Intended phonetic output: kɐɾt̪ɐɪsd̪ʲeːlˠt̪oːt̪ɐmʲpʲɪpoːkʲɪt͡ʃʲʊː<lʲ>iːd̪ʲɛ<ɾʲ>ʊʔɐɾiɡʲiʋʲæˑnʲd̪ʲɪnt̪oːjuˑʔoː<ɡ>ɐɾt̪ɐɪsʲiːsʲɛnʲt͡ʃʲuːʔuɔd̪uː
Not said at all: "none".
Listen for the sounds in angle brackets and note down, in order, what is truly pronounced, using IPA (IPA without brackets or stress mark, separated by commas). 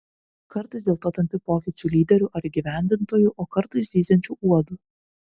lʲ, ɾʲ, k